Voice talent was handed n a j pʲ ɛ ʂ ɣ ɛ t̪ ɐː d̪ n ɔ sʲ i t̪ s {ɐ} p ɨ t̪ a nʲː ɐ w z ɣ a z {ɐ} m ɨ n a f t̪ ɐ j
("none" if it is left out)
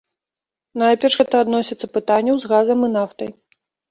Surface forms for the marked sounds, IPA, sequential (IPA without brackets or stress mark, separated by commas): ɐ, ɐ